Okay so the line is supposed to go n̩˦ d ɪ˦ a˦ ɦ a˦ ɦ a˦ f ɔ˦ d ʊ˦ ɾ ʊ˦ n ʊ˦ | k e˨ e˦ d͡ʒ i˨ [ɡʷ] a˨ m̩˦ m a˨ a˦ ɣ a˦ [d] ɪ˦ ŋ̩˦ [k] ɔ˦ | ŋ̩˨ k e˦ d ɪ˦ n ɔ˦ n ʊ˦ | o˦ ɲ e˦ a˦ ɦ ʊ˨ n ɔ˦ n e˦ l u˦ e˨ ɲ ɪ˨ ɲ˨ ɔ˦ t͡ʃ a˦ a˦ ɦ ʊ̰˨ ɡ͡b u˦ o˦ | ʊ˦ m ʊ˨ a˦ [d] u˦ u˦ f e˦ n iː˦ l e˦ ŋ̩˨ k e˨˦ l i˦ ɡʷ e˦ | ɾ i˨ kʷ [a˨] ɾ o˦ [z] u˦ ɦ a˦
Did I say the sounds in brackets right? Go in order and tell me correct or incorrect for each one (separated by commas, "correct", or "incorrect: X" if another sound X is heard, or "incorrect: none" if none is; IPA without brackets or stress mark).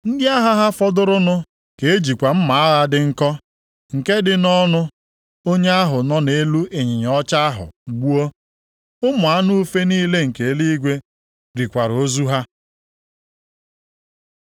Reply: incorrect: kʷ, correct, correct, incorrect: n, correct, correct